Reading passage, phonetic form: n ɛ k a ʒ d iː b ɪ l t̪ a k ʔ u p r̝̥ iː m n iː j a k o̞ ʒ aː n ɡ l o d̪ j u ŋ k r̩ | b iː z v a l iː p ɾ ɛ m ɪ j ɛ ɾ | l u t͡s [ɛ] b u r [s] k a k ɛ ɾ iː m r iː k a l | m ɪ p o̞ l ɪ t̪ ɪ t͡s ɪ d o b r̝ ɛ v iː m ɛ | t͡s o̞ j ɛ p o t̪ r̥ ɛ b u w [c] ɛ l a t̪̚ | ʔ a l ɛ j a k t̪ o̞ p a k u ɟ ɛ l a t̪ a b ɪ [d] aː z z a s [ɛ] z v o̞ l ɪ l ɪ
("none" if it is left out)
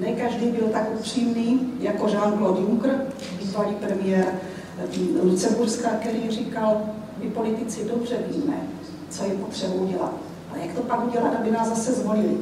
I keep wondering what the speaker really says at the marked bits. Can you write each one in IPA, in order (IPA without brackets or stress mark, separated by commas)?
ɛ, s, ɟ, n, ɛ